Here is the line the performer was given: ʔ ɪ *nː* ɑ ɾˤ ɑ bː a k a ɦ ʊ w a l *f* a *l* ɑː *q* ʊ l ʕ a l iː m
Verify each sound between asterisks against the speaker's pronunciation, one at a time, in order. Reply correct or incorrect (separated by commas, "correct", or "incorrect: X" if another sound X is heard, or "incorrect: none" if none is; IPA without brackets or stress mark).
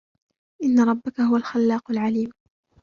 correct, incorrect: x, incorrect: lː, correct